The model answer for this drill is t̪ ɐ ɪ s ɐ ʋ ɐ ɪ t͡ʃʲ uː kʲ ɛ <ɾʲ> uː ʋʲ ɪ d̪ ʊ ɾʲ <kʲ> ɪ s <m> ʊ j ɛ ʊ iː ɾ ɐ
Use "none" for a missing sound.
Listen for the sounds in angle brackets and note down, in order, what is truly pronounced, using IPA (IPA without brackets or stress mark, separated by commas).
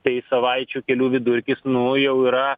lʲ, kʲ, n